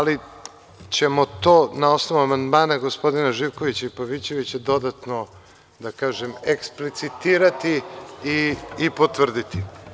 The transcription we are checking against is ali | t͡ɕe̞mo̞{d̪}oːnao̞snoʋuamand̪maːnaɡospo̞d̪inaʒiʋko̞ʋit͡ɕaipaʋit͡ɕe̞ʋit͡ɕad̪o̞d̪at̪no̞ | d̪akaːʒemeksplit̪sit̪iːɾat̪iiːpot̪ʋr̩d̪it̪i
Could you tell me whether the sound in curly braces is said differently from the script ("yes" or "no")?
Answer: yes